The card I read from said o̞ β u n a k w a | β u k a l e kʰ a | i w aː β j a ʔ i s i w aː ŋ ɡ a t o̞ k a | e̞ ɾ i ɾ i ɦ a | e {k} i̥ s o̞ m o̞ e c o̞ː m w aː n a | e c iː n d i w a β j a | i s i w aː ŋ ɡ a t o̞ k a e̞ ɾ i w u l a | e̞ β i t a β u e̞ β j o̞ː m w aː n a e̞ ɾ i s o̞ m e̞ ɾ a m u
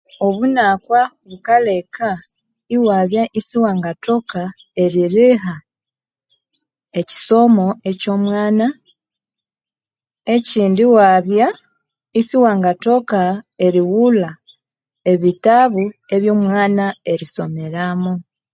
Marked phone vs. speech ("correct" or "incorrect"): incorrect